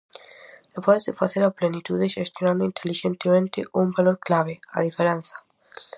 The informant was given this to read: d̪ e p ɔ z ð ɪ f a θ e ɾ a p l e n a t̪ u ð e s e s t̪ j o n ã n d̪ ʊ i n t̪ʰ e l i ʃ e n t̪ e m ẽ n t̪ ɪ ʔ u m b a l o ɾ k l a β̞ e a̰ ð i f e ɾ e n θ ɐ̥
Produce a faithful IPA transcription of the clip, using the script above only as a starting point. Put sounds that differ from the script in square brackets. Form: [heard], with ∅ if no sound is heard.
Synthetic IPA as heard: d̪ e p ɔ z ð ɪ f a θ e ɾ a p l e n [i] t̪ u ð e [ʃ] e s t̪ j o n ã n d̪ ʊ i n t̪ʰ e l i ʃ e n t̪ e m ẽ n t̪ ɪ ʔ u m b a l o ɾ k l a β̞ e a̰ ð i f e ɾ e n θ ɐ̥